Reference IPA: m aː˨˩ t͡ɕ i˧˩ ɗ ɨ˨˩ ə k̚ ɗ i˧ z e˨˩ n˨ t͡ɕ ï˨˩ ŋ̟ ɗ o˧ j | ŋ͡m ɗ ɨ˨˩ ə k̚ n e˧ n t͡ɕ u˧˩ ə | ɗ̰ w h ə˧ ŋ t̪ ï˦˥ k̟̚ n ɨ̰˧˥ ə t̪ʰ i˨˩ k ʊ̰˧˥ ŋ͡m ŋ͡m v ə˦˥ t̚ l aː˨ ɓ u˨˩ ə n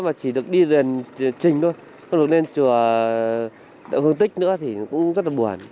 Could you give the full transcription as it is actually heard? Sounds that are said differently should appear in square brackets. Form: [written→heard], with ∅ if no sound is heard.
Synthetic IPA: m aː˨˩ t͡ɕ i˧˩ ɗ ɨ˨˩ ə k̚ ɗ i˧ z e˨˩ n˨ t͡ɕ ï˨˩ ŋ̟ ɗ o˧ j | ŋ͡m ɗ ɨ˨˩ ə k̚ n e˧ n t͡ɕ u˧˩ ə | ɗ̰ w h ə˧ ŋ t̪ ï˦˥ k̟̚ n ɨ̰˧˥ ə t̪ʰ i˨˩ k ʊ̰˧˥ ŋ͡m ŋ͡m [v→z] ə˦˥ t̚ l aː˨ ɓ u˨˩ ə n